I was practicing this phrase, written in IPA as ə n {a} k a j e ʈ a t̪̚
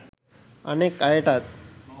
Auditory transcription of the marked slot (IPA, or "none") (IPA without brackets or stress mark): e